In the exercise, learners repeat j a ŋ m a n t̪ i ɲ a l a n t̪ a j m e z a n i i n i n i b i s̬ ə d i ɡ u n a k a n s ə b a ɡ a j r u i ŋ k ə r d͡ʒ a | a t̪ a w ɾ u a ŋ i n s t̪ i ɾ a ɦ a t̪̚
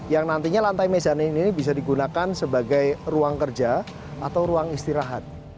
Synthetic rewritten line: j a ŋ n a n t̪ i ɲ a l a n t̪ a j m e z a n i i n i n i b i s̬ a d i ɡ u n a k a n s ə b a ɡ a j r u a ŋ k ə r d͡ʒ a | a t̪ a w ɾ u a ŋ i s t̪ i ɾ a ɦ a t̪̚